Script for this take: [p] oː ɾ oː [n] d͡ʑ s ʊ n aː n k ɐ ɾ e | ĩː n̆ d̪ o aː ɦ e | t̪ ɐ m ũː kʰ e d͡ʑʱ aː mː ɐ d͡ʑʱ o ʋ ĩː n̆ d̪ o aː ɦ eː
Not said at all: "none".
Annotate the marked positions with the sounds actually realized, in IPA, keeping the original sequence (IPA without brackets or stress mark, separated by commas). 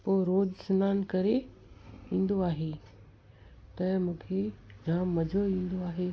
p, none